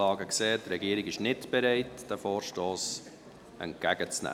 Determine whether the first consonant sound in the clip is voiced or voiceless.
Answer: voiced